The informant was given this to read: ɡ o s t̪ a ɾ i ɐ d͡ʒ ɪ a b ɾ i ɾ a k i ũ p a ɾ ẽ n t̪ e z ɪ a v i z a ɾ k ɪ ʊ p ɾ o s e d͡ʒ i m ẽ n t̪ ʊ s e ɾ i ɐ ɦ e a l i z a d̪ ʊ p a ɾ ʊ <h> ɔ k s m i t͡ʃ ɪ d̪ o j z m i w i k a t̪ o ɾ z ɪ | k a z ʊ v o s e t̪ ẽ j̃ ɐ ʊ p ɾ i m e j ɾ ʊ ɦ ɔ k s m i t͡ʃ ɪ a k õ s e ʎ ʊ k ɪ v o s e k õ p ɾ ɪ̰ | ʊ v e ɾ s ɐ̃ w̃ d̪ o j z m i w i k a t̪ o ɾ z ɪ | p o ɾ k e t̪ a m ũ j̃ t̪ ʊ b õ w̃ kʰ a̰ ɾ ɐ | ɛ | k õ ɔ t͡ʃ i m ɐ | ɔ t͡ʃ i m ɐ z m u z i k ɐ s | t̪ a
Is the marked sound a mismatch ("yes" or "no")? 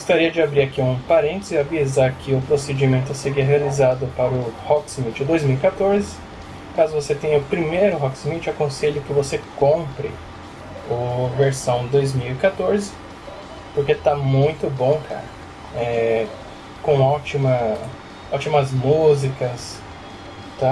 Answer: no